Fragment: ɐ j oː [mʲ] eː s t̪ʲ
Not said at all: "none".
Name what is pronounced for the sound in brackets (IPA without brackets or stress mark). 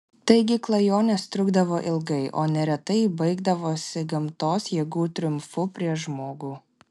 nʲ